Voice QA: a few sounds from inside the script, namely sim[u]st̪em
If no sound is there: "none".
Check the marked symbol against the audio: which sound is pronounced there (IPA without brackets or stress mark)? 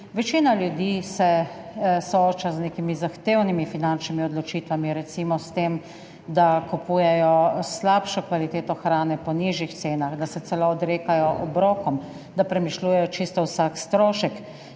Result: ɔ